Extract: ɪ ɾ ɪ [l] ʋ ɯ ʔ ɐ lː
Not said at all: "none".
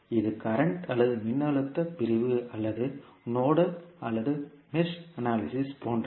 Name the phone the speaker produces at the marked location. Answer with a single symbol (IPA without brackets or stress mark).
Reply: none